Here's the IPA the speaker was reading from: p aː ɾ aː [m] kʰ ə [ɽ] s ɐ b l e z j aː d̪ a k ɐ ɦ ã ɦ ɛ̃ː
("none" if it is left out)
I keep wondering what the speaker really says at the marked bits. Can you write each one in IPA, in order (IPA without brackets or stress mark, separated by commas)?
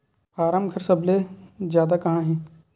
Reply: m, ɾ